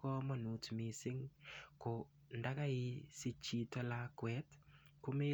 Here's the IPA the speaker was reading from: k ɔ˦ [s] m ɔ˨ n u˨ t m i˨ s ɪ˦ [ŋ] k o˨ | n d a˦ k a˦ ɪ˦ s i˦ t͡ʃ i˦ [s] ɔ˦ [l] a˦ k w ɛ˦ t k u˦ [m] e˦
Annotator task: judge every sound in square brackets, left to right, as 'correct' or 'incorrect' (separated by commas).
incorrect, correct, incorrect, correct, correct